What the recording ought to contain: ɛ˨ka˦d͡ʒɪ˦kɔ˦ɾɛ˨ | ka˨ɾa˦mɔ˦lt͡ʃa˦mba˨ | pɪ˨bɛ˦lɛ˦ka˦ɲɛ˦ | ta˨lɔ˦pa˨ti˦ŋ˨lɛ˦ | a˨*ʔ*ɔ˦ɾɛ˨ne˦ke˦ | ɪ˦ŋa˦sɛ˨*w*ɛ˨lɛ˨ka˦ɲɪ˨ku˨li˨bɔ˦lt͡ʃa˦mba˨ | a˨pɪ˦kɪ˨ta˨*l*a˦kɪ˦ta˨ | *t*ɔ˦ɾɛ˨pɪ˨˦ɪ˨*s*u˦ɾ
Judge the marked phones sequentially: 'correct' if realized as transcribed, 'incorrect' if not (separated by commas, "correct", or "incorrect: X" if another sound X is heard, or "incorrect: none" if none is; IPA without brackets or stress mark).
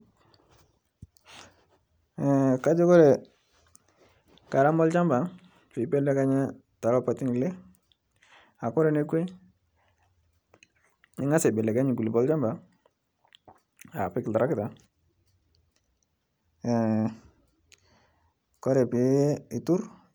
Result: incorrect: k, incorrect: b, incorrect: ɾ, incorrect: k, incorrect: t